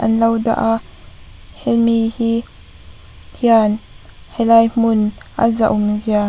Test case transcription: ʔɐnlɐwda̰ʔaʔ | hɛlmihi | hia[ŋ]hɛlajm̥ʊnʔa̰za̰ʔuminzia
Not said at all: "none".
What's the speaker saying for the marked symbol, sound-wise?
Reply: n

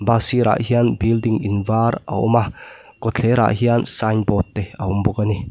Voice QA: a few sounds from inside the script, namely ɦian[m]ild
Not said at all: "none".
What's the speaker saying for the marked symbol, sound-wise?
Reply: b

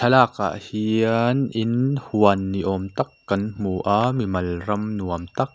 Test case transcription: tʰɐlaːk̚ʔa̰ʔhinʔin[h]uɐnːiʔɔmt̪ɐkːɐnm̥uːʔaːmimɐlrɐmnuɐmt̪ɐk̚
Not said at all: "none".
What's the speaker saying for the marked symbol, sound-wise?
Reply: h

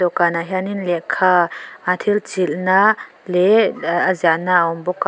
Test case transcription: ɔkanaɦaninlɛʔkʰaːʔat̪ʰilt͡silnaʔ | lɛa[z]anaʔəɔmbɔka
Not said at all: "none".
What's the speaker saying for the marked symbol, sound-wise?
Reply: z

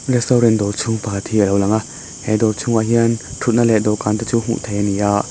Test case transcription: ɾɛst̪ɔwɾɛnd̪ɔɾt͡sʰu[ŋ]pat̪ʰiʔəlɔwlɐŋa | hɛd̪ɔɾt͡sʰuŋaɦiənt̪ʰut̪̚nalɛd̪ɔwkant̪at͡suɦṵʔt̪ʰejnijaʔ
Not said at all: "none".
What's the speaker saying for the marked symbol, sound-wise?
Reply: ŋ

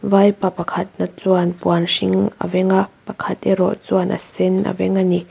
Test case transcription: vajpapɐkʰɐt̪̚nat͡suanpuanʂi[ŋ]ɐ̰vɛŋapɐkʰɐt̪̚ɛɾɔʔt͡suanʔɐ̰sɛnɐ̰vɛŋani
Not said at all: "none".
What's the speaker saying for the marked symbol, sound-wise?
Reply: ŋ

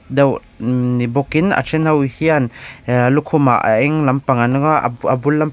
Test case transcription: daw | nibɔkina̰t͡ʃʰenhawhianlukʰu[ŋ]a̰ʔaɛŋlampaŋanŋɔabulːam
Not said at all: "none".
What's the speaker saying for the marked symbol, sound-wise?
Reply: m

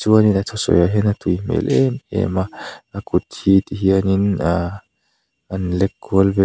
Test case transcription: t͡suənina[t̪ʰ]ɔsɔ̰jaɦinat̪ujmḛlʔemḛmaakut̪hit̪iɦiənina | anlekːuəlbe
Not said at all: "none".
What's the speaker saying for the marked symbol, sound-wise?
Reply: t̪ʰ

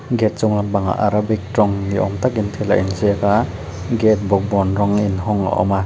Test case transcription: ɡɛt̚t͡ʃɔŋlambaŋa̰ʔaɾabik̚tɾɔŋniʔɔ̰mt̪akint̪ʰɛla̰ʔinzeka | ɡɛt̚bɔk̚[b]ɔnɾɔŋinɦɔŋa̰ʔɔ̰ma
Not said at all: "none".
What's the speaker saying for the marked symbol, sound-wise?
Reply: b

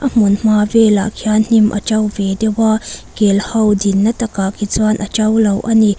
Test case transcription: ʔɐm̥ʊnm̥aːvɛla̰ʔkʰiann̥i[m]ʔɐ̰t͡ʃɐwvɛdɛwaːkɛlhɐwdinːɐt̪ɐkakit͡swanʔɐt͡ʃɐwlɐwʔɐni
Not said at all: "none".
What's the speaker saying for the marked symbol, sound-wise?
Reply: m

